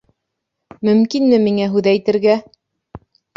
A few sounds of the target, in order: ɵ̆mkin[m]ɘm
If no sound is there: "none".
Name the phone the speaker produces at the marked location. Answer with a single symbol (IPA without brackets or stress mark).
m